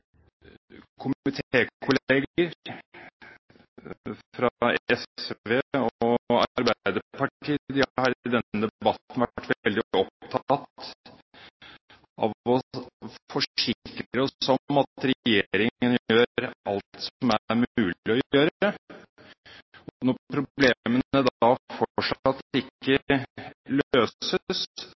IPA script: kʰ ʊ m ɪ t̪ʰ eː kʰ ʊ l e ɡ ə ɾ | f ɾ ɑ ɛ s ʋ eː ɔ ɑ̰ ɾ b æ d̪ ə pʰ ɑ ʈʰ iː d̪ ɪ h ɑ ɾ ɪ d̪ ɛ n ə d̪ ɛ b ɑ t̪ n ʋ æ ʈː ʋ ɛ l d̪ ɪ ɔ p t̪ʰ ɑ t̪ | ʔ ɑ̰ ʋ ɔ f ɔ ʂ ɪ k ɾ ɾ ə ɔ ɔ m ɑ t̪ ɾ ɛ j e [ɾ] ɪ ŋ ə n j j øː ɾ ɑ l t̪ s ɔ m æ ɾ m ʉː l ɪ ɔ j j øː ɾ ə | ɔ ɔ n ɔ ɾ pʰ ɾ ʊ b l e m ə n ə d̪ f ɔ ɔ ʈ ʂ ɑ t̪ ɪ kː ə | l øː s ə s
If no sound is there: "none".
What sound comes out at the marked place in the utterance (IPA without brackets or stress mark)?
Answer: ɾ